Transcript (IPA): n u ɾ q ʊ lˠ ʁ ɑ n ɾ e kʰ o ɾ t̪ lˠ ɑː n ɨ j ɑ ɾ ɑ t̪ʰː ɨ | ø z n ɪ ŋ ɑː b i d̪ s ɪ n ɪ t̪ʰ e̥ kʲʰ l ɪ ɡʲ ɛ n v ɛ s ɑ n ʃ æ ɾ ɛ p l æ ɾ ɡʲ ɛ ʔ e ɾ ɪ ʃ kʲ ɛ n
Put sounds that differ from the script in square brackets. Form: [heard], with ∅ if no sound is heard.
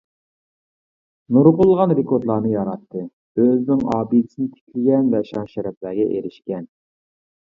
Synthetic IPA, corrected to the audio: n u ɾ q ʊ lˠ ʁ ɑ n ɾ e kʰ o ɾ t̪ lˠ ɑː n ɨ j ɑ ɾ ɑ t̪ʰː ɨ | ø z n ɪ ŋ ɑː b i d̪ s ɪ n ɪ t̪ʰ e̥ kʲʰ l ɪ ɡʲ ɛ n v ɛ [ʃ] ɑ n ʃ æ ɾ ɛ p l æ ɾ ɡʲ ɛ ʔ e ɾ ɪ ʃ kʲ ɛ n